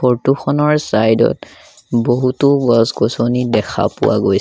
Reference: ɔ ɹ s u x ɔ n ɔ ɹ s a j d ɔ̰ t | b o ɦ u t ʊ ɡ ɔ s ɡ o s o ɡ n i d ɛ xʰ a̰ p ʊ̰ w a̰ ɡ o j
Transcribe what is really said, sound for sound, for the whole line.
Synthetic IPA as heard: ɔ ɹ t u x ɔ n ɔ ɹ s a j d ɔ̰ t | b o ɦ u t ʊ ɡ ɔ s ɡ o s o n i d ɛ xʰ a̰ p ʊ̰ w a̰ ɡ o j